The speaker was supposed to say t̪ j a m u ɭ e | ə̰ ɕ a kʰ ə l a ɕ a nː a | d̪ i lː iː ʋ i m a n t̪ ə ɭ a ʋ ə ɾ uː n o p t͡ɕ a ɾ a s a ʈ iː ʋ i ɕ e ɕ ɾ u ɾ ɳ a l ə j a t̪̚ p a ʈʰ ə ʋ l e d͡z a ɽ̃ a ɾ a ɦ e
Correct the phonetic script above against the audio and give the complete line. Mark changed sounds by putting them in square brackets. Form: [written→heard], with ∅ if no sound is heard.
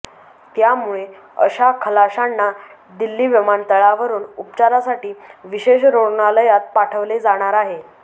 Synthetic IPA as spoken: t̪ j a m u ɭ e | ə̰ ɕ a kʰ ə l a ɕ a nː a | d̪ i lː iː ʋ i m a n t̪ ə ɭ a ʋ ə ɾ uː n [o→u] p t͡ɕ a ɾ a s a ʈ iː ʋ i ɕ e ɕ ɾ [u→o] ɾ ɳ a l ə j a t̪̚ p a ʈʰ ə ʋ l e d͡z a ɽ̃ a ɾ a ɦ e